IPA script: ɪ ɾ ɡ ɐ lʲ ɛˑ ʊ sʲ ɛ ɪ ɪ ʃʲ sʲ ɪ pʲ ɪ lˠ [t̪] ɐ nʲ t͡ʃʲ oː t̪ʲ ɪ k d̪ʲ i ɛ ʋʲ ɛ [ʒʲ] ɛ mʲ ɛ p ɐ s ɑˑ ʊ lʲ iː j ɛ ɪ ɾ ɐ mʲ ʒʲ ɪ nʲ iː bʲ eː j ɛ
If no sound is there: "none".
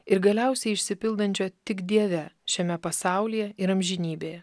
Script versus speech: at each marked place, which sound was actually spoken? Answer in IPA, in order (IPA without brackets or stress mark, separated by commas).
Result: d̪, ʃʲ